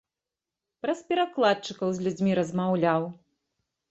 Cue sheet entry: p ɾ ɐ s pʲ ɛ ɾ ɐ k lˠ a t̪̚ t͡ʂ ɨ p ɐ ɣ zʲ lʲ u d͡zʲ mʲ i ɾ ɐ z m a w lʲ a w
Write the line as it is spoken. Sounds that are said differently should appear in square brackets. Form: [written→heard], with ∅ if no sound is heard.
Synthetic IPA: p ɾ ɐ s pʲ ɛ ɾ [ɐ→a] k lˠ a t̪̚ t͡ʂ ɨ [p→k] ɐ [ɣ→w] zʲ lʲ u d͡zʲ mʲ i ɾ ɐ z m a w lʲ a w